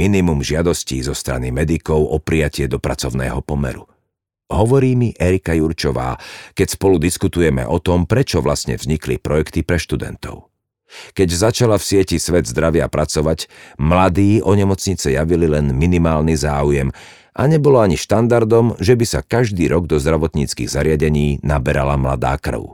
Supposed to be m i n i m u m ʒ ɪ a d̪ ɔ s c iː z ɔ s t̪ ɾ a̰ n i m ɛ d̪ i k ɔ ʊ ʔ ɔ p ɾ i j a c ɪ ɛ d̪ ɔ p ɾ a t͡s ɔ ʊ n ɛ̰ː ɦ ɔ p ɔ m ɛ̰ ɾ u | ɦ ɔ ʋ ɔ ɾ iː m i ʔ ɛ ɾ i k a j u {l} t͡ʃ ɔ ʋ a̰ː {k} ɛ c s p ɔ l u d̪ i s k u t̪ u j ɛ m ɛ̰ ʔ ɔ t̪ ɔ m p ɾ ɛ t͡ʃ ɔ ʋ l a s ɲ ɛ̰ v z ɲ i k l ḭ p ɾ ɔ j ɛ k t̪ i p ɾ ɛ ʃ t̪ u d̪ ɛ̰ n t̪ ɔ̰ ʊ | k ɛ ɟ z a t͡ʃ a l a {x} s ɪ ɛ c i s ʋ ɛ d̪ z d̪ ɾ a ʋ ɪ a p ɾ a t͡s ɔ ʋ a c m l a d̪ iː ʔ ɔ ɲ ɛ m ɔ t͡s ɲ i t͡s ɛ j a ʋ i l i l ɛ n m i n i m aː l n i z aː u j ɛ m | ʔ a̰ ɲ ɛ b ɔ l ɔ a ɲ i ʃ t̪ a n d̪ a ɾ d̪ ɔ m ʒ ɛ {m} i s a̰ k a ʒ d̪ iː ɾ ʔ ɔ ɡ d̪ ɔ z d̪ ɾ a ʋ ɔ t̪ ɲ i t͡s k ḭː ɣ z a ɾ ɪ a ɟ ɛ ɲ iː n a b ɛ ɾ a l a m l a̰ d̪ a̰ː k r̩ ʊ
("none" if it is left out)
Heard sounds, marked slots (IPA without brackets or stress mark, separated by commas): ɾ, k, f, b